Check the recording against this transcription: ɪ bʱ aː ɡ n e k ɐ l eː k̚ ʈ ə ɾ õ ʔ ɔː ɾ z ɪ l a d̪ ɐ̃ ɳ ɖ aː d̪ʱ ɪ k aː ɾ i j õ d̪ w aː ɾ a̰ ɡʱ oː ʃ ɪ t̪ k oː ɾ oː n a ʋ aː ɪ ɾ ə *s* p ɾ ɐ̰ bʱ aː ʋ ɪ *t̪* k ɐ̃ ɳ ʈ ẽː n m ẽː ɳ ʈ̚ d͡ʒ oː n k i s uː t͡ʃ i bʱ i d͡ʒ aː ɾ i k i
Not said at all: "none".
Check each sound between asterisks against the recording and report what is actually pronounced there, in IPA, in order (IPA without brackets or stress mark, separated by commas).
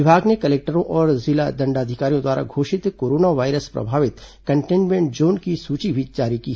s, t̪